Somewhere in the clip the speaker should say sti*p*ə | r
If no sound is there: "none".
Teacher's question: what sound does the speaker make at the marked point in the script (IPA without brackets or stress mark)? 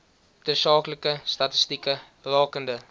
k